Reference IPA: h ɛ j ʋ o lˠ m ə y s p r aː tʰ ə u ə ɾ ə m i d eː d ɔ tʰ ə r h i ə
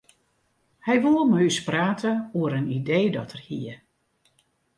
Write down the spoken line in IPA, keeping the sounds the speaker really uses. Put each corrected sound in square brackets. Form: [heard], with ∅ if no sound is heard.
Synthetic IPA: h ɛ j ʋ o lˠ m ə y s p r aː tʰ ə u ə ɾ ə [n] i d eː d ɔ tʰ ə r h i ə